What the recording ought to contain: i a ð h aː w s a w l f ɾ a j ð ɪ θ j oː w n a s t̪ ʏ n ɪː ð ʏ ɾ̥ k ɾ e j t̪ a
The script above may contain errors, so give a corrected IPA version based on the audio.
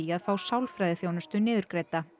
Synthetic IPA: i a ð f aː w s a w l f ɾ a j ð ɪ θ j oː w n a s t̪ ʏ n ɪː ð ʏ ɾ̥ k ɾ e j t̪ a